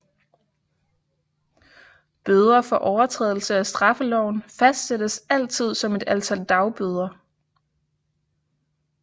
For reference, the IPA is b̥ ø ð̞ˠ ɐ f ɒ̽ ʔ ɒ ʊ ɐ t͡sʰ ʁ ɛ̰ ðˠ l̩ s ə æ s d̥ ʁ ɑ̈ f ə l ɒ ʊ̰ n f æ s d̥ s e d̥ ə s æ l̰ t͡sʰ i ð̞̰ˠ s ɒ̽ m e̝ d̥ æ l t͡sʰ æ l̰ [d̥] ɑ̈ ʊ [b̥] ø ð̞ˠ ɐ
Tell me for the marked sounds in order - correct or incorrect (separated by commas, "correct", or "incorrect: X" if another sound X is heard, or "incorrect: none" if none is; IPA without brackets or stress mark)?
correct, correct